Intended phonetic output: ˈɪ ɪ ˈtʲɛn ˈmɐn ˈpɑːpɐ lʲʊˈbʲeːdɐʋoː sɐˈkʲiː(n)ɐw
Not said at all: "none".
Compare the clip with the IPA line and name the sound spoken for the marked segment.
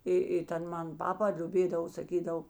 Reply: d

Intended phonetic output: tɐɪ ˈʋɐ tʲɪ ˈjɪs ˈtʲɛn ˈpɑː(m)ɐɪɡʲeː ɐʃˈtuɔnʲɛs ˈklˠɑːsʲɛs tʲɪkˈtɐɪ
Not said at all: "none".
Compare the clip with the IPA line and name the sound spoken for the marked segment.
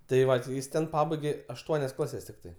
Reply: b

